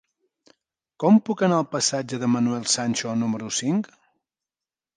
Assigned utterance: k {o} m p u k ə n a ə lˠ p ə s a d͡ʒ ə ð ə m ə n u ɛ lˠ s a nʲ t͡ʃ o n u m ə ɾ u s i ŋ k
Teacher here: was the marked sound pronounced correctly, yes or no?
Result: no